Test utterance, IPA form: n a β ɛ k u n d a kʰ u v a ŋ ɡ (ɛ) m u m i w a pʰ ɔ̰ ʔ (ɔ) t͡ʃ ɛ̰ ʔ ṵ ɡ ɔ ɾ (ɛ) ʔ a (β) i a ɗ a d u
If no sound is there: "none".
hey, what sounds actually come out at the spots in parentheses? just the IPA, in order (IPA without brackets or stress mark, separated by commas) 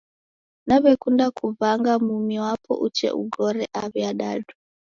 a, u, ɛ, β